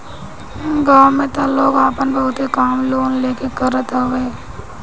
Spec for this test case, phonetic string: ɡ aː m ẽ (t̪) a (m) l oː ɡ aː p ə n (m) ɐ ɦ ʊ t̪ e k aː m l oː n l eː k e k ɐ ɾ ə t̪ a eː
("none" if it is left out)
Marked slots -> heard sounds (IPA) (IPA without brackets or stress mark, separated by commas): t̪, none, b